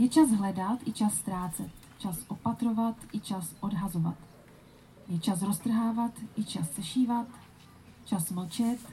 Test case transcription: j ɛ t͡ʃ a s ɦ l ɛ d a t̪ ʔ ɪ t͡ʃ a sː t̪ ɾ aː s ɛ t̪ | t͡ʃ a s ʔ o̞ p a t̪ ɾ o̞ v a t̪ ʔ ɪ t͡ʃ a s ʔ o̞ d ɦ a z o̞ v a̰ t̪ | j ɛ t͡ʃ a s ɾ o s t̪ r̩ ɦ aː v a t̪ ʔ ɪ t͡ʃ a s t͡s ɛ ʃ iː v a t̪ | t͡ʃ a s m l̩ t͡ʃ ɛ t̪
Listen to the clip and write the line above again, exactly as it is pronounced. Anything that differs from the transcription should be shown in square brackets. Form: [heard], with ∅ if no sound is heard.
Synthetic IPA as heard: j ɛ t͡ʃ a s ɦ l ɛ d a t̪ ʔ ɪ t͡ʃ a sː t̪ ɾ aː [t͡s] ɛ t̪ | t͡ʃ a s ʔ o̞ p a t̪ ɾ o̞ v a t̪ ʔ ɪ t͡ʃ a s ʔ o̞ d ɦ a z o̞ v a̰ t̪ | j ɛ t͡ʃ a s ɾ o s t̪ r̩ ɦ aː v a t̪ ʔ ɪ t͡ʃ a s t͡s ɛ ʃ iː v a t̪ | t͡ʃ a s m l̩ t͡ʃ ɛ t̪